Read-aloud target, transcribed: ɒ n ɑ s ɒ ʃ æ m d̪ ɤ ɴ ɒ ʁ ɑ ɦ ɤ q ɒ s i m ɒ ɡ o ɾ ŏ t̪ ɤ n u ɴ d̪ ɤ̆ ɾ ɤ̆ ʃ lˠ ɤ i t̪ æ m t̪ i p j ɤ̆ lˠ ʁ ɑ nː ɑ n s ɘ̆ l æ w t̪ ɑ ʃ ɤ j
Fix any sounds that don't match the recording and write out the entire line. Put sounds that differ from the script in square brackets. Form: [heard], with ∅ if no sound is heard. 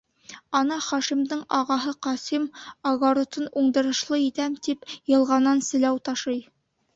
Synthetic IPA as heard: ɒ n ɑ [χ] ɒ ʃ [i] m d̪ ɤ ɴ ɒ ʁ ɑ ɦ ɤ q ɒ s i m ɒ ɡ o ɾ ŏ t̪ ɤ n u ɴ d̪ ɤ̆ ɾ ɤ̆ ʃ lˠ ɤ i t̪ æ m t̪ i p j ɤ̆ lˠ ʁ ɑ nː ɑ n s ɘ̆ l æ w t̪ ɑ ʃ ɤ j